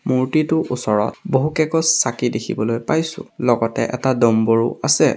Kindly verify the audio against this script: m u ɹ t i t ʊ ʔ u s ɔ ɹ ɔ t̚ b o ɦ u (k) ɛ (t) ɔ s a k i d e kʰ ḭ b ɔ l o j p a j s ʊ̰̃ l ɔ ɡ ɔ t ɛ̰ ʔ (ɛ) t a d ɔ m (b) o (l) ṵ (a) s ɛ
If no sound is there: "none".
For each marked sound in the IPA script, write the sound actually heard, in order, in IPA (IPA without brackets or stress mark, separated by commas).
k, k, ɛ, b, ɹ, a